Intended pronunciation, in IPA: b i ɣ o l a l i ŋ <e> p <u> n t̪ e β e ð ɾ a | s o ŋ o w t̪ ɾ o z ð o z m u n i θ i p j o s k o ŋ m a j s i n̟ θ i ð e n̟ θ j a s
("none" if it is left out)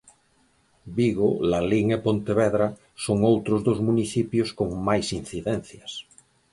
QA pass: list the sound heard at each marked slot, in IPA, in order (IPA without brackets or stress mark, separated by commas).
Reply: e, o